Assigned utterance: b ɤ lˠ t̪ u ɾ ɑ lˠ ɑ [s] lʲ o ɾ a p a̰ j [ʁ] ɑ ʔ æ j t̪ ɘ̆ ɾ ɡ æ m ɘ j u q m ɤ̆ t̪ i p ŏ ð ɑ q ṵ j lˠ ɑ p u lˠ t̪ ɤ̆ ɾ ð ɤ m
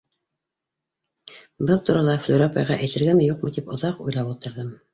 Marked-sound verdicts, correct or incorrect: incorrect: f, correct

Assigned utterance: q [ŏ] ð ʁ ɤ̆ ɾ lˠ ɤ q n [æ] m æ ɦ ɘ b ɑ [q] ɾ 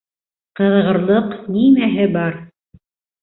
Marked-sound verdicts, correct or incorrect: incorrect: ɤ̆, incorrect: i, incorrect: none

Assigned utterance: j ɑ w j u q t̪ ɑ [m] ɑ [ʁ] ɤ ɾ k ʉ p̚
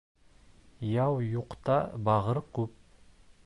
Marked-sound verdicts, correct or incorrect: incorrect: b, correct

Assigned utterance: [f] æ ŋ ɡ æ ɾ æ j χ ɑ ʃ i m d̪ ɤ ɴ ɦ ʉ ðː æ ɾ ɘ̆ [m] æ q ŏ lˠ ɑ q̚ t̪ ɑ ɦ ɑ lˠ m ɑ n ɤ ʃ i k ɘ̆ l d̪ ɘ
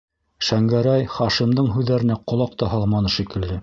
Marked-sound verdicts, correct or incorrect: incorrect: ʃ, incorrect: n

